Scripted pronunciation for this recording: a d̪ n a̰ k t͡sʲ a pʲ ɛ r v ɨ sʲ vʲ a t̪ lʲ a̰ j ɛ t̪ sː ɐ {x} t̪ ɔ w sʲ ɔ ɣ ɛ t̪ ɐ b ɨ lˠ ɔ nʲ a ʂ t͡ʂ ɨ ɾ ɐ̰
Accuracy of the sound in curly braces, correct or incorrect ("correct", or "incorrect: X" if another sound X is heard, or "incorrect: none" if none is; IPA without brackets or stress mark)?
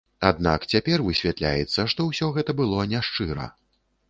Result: incorrect: ʂ